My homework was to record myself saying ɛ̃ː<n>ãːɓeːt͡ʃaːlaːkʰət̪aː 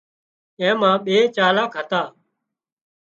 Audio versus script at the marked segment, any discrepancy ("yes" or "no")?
yes